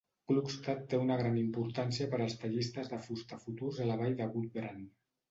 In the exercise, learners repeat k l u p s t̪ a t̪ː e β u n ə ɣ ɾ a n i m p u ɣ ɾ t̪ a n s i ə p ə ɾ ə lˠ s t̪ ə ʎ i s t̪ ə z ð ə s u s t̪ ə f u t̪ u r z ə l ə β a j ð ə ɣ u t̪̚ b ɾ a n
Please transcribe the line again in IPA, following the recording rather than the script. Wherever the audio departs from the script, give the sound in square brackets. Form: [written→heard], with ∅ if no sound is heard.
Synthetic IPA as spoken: k l u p s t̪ a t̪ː e [β→∅] u n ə ɣ ɾ a n i m p u [ɣ→∅] ɾ t̪ a n s i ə p ə ɾ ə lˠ s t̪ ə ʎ i s t̪ ə z ð ə [s→f] u s t̪ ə f u t̪ u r z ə l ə β a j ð ə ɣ u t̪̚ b ɾ a n